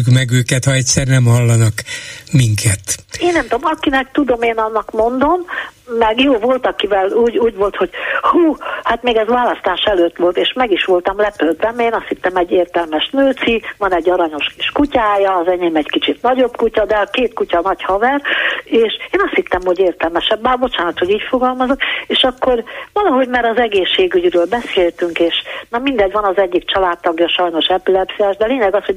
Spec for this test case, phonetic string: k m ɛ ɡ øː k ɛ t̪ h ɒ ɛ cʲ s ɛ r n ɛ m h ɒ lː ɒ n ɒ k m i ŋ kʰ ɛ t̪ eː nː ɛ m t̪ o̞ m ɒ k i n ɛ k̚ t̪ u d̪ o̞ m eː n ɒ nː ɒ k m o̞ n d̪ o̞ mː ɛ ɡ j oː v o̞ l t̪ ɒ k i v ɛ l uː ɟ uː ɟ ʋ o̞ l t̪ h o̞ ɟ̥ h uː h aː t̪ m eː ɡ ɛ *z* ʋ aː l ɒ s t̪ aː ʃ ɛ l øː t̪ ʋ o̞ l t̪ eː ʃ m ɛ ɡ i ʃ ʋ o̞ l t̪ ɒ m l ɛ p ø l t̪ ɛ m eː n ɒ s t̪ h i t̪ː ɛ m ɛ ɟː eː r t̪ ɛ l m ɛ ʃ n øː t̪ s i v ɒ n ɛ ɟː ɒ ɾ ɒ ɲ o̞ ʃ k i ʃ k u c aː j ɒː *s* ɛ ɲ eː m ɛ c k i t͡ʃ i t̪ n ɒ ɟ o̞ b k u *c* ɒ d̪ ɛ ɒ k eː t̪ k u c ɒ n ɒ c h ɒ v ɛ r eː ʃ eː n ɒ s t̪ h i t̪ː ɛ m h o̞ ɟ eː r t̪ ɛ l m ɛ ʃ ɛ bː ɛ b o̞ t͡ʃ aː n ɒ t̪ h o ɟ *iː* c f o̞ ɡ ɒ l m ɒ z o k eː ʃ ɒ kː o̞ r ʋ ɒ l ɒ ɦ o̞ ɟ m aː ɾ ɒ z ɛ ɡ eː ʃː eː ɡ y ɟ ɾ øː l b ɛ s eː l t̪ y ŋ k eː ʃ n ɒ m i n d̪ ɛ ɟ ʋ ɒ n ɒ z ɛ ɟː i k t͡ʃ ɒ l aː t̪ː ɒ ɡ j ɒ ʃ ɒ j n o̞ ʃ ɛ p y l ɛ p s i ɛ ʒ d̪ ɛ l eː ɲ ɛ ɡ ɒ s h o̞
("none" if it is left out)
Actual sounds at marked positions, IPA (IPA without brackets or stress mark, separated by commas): z, z, c, iː